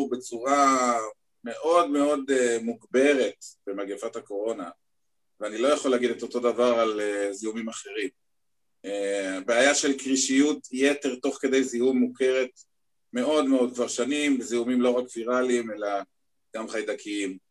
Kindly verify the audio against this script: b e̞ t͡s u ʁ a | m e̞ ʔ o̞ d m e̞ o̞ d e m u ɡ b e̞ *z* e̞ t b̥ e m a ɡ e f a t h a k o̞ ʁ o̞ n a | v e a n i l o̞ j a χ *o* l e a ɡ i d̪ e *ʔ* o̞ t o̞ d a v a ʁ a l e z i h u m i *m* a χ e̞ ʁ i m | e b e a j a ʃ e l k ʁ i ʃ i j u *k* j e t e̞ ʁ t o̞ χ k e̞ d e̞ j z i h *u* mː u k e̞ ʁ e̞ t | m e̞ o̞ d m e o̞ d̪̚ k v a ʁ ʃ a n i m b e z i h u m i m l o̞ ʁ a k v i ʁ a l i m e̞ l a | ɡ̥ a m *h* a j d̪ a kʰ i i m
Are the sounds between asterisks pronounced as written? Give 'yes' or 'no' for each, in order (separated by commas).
no, yes, no, yes, no, yes, no